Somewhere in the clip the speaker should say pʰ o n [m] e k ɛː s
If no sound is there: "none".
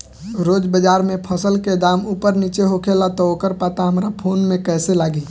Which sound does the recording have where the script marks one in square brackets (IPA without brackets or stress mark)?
m